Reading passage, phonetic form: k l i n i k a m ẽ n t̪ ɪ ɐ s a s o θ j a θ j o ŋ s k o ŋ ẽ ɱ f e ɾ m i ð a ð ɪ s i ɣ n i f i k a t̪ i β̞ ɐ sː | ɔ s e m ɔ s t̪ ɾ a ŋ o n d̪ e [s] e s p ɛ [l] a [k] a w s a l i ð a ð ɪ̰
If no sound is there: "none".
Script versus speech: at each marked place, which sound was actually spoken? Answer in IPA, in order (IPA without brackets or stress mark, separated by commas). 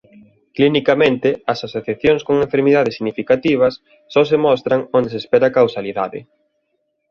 s, ɾ, k